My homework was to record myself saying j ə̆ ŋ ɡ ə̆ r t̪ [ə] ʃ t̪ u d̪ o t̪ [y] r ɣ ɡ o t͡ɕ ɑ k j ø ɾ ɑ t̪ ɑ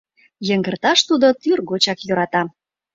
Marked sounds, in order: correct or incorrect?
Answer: incorrect: ɑ, correct

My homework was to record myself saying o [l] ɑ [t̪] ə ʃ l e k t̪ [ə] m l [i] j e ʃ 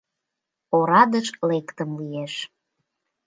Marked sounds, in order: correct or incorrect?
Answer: incorrect: ɾ, incorrect: d̪, correct, correct

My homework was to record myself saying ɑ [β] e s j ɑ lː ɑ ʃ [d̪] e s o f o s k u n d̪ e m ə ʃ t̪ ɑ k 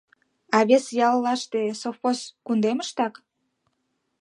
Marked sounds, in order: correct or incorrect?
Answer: correct, incorrect: t̪

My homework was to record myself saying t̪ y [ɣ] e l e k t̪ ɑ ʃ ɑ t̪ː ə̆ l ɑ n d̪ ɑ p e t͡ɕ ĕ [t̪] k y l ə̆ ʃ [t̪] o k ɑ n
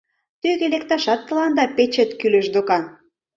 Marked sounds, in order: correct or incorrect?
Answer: correct, correct, incorrect: d̪

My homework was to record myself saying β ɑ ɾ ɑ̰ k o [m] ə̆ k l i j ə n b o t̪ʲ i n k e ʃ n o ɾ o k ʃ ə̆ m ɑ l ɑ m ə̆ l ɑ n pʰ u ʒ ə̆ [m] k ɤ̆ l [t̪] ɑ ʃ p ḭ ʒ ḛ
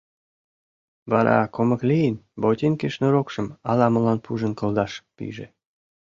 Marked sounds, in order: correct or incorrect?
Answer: correct, incorrect: n, incorrect: d̪

